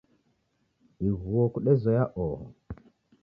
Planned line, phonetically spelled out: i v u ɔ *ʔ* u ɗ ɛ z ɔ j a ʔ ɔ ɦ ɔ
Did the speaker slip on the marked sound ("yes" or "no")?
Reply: yes